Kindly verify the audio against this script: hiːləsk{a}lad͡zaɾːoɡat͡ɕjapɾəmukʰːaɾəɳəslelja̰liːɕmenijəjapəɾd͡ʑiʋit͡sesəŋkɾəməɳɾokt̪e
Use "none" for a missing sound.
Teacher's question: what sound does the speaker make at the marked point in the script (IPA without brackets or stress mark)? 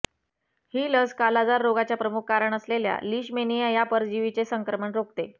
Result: a